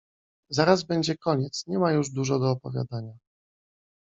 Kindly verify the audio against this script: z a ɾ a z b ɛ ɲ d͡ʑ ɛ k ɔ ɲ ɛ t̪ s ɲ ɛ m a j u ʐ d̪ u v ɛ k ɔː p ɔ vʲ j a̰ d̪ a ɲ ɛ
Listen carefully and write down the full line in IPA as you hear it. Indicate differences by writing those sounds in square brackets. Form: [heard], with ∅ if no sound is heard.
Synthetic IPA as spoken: z a ɾ a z b ɛ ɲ d͡ʑ ɛ k ɔ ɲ ɛ t̪ s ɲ ɛ m a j u ʐ d̪ u [ʐ] ɛ [ɡ] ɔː p ɔ vʲ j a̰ d̪ a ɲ [a]